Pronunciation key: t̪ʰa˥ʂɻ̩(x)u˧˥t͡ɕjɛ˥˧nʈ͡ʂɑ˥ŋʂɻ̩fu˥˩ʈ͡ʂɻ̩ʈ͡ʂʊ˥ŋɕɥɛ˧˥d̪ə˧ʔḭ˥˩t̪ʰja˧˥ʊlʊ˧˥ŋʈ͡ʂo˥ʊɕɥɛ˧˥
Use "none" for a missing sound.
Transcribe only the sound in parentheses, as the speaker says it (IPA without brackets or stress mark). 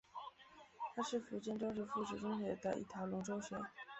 f